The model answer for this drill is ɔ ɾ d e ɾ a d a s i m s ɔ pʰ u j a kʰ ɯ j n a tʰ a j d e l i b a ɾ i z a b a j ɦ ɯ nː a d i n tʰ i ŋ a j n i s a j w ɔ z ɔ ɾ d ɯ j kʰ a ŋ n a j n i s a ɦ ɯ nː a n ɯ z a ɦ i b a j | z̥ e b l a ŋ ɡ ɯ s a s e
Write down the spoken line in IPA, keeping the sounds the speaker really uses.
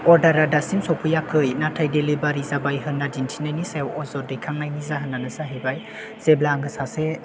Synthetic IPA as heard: ɔ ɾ d a ɾ a d a s i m s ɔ pʰ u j a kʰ ɯ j n a tʰ a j d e l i b a ɾ i z a b a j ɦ ɯ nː a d i n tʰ i n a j n i s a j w ɔ z ɔ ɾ d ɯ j kʰ a ŋ n a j n i z a ɦ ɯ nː a n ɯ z a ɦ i b a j | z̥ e b l a ŋ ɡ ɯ s a s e